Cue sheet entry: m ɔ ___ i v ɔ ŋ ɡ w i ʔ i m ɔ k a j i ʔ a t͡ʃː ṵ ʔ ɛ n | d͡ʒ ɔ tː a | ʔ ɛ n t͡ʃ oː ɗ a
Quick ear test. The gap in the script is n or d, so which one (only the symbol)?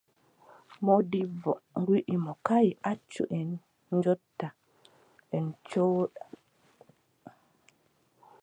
d